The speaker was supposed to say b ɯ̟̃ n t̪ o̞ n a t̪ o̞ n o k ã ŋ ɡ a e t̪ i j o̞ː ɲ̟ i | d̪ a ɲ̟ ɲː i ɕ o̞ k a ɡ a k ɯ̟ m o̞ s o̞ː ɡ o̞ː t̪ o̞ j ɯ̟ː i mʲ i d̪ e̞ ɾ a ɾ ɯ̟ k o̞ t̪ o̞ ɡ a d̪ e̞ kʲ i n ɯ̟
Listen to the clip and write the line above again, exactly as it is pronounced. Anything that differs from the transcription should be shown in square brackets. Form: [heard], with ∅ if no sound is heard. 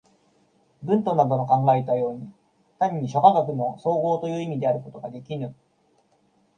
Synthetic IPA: b ɯ̟̃ n t̪ o̞ n a [d̪] o̞ n o k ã ŋ ɡ a e t̪ [a] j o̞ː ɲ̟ i | [t̪] a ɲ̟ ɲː i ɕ o̞ k a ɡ a k ɯ̟ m o̞ s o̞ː ɡ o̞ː t̪ o̞ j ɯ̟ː i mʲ i d̪ e̞ [∅] a ɾ ɯ̟ k o̞ t̪ o̞ ɡ a d̪ e̞ kʲ i n ɯ̟